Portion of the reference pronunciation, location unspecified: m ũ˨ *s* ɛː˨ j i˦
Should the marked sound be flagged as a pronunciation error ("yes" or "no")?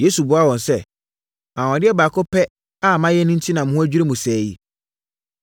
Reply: no